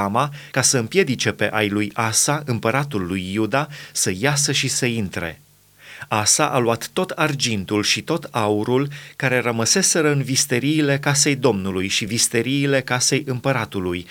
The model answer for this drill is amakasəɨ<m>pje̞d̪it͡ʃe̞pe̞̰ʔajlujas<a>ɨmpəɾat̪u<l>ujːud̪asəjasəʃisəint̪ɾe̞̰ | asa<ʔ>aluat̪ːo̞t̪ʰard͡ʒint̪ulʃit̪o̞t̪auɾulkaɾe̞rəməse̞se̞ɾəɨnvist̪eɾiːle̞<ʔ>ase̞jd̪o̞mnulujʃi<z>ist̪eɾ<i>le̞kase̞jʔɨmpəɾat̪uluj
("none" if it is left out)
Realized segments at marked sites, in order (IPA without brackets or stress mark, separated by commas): m, a, lː, ʔ, k, v, iː